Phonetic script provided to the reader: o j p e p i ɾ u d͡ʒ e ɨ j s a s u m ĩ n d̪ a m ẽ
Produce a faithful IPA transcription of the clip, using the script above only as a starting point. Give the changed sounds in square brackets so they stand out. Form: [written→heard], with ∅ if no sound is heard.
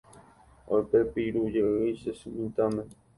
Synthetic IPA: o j p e p i ɾ u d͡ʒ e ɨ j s [a→e] s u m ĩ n [d̪→t̪] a m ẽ